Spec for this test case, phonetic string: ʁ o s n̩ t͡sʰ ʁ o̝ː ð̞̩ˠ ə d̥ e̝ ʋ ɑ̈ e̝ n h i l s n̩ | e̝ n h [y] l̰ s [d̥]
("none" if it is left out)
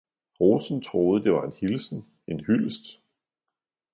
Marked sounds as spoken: y, d̥

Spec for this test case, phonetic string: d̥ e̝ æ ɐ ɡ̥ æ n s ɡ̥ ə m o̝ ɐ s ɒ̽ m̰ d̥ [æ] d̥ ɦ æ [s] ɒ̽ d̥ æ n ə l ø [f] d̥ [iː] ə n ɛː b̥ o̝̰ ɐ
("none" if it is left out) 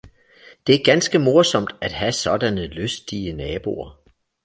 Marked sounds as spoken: æ, s, s, i

